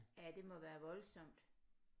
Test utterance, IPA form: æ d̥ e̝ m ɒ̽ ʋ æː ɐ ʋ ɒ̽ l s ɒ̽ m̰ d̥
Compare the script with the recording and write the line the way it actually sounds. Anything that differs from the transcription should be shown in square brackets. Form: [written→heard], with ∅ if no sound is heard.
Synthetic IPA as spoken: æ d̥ e̝ m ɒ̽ ʋ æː ɐ ʋ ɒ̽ l s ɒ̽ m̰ d̥